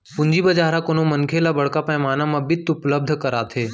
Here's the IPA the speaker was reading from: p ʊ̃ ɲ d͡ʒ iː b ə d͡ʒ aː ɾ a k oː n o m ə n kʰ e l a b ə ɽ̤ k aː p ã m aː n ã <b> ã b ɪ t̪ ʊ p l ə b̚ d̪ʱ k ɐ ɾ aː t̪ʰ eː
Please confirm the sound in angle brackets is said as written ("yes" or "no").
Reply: no